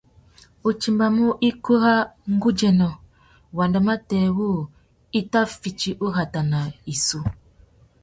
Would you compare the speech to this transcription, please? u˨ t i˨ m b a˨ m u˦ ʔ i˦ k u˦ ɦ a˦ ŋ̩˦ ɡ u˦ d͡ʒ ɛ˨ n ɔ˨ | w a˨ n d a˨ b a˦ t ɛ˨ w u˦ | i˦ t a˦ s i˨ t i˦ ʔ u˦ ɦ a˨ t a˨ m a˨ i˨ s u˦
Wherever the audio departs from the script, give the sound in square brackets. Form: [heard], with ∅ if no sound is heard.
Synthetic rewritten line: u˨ [t͡ʃ] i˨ m b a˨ m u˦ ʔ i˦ k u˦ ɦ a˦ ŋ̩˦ ɡ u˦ d͡ʒ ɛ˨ n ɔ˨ | w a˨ n d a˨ [m] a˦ t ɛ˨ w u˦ | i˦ t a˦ [f] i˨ [t͡ʃ] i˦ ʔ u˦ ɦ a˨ t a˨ [n] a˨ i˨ s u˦

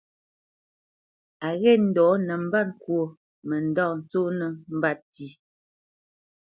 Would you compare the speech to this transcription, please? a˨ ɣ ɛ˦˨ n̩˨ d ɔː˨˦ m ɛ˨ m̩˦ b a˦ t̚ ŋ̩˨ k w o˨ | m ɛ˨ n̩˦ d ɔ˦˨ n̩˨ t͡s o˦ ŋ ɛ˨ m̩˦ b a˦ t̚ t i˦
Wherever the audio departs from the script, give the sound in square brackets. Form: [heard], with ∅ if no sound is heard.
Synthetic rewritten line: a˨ ɣ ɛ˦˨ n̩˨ d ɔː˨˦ [n] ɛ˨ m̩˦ b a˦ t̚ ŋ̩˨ k w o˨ | m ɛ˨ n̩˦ d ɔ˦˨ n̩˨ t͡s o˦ [n] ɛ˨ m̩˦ b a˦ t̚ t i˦

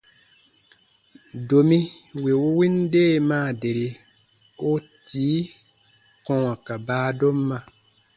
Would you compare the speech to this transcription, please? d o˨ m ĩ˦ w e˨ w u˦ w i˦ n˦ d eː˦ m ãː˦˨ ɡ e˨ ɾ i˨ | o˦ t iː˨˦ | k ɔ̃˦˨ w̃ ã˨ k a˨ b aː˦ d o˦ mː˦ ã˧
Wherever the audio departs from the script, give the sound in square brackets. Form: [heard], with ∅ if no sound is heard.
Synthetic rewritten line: d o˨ m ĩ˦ w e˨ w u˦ w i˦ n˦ d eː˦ m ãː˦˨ [d] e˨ ɾ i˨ | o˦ t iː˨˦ | k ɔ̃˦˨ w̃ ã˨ k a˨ b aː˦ d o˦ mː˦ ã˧

